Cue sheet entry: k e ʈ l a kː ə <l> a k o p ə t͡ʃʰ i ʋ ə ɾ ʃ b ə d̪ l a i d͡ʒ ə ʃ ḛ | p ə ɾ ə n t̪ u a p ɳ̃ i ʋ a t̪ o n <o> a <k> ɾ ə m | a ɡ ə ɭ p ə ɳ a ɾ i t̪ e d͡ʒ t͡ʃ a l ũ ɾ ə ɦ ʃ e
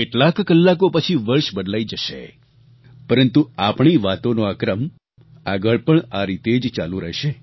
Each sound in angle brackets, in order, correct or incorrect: incorrect: lː, correct, correct

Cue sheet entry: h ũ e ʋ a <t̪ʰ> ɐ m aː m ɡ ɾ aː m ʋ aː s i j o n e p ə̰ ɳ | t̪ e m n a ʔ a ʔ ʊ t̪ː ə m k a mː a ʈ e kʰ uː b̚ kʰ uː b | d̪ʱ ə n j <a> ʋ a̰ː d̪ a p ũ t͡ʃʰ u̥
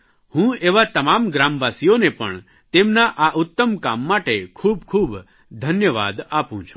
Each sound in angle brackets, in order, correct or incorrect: incorrect: t̪, incorrect: ə

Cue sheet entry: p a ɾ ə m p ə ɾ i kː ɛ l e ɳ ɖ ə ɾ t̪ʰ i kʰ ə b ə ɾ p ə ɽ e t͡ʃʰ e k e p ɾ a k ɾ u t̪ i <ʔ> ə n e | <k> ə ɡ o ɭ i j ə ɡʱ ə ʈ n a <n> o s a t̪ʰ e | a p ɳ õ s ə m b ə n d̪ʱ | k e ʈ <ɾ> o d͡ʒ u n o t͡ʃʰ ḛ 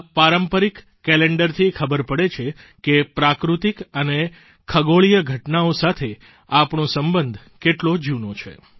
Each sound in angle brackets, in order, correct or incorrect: incorrect: k, incorrect: kʰ, incorrect: none, incorrect: l

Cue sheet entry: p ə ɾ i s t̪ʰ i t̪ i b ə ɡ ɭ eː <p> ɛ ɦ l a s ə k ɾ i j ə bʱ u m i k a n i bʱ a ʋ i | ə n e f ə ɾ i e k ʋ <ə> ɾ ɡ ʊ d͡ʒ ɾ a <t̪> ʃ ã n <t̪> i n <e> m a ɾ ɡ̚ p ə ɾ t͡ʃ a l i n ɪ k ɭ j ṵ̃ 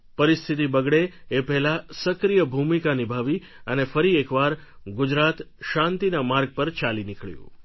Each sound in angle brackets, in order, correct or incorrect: correct, incorrect: a, correct, correct, incorrect: a

